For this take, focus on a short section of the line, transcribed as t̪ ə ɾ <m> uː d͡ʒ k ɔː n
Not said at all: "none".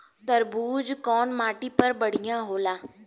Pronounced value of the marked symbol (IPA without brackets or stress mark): b